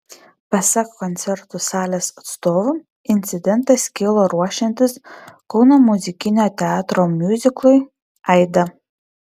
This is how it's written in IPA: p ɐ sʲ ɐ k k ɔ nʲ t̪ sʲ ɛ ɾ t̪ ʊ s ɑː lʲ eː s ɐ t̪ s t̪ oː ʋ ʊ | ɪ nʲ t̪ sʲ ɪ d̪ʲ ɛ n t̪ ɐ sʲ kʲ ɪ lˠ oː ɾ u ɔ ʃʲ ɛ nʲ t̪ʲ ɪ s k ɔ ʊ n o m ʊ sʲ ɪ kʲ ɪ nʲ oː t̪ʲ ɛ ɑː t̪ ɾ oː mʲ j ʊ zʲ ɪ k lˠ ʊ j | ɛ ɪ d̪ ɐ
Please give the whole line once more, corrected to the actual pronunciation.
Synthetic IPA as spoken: p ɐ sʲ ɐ k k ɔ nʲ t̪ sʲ ɛ ɾ t̪ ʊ s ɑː lʲ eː s ɐ t̪ s t̪ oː ʋ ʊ | ɪ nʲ t̪ sʲ ɪ d̪ʲ ɛ n t̪ ɐ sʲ kʲ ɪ lˠ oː ɾ u ɔ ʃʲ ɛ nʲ t̪ʲ ɪ s k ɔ ʊ n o m ʊ zʲ ɪ kʲ ɪ nʲ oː t̪ʲ ɛ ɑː t̪ ɾ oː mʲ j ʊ zʲ ɪ k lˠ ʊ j | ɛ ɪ d̪ ɐ

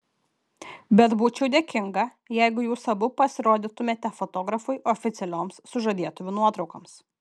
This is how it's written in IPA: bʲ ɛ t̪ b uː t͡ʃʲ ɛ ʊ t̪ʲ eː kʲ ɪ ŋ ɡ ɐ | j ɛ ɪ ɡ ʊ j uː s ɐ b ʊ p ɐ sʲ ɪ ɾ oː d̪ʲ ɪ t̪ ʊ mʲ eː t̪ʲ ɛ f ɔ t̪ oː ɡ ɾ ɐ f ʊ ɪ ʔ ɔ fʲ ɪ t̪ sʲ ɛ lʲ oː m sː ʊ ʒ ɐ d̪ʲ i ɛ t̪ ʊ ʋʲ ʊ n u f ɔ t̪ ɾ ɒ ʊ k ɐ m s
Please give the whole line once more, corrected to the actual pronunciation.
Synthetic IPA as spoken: bʲ ɛ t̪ b uː t͡ʃʲ ɛ ʊ d̪ʲ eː kʲ ɪ ŋ ɡ ɐ | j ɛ ɪ ɡ ʊ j uː s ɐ b ʊ p ɐ sʲ ɪ ɾ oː d̪ʲ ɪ t̪ ʊ mʲ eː t̪ʲ ɛ f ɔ t̪ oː ɡ ɾ ɐ f ʊ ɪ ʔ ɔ fʲ ɪ t̪ sʲ ɛ lʲ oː m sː ʊ ʒ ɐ d̪ʲ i ɛ t̪ ʊ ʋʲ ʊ n u ɔ t̪ ɾ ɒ ʊ k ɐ m s

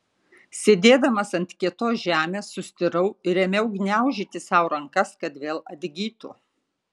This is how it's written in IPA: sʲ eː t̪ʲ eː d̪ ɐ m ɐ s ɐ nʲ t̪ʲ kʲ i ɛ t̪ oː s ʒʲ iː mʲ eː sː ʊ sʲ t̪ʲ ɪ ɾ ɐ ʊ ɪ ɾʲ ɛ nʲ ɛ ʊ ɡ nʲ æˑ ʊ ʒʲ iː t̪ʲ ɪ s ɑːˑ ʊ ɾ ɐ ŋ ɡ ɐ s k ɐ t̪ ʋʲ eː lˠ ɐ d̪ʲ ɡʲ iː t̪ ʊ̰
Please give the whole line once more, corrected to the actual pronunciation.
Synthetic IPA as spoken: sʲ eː d̪ʲ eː d̪ ɐ m ɐ s ɐ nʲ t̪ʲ kʲ i ɛ t̪ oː s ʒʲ æː mʲ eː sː ʊ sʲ t̪ʲ ɪ ɾ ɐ ʊ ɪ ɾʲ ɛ mʲ ɛ ʊ ɡ nʲ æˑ ʊ ʒʲ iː t̪ʲ ɪ s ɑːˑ ʊ ɾ ɐ ŋ k ɐ s k ɐ t̪ ʋʲ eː lˠ ɐ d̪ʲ ɡʲ iː t̪ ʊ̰

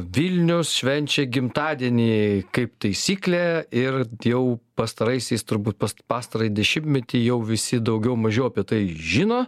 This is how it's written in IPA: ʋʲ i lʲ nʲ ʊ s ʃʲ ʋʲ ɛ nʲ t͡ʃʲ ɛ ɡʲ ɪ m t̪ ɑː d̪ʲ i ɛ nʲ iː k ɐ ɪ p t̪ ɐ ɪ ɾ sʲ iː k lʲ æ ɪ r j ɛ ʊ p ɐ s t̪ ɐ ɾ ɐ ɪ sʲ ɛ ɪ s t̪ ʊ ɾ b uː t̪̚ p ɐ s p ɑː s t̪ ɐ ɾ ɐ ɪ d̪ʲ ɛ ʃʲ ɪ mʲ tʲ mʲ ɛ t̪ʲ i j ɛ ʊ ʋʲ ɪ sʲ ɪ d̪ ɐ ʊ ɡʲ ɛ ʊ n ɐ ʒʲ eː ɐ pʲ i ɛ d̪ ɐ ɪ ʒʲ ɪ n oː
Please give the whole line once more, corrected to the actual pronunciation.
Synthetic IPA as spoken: ʋʲ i lʲ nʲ ʊ s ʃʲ ʋʲ ɛ nʲ t͡ʃʲ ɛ ɡʲ ɪ m t̪ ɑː d̪ʲ i ɛ nʲ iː k ɐ ɪ p t̪ ɐ ɪ sʲ iː k lʲ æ ɪ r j ɛ ʊ p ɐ s t̪ ɐ ɾ ɐ ɪ sʲ ɛ ɪ s t̪ ʊ ɾ b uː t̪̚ p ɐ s p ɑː s t̪ ɐ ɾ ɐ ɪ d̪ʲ ɛ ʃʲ ɪ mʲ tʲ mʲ ɛ t̪ʲ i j ɛ ʊ ʋʲ ɪ sʲ ɪ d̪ ɐ ʊ ɡʲ ɛ ʊ m ɐ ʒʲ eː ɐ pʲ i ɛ t̪ ɐ ɪ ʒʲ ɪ n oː

